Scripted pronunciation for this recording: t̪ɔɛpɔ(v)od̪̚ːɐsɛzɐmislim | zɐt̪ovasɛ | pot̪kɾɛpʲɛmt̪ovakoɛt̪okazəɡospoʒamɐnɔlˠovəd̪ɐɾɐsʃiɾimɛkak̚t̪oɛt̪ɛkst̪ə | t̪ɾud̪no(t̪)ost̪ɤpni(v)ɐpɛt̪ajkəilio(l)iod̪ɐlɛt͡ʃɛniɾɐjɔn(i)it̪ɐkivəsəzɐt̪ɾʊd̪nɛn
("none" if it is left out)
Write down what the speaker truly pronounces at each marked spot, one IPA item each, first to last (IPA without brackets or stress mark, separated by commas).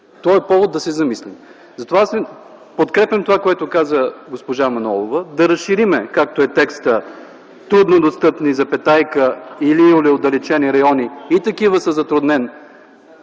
v, d̪, z, l, i